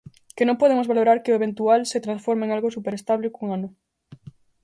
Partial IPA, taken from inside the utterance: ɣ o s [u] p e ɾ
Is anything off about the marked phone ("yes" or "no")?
no